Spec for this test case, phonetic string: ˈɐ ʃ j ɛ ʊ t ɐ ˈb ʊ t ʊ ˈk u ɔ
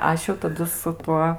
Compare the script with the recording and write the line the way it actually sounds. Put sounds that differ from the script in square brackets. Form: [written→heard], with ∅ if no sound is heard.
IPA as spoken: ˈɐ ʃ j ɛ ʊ t ɐ [ˈb→ˈd] ʊ [t→s] ʊ [ˈk→ˈt] u ɔ